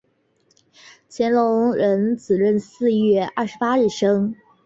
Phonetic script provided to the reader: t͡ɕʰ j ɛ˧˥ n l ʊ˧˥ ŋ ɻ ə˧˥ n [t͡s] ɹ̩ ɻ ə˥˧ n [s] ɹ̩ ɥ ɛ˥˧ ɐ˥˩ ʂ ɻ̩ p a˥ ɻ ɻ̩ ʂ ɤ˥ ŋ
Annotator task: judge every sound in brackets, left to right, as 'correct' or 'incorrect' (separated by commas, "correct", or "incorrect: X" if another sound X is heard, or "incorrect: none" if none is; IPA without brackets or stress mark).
correct, correct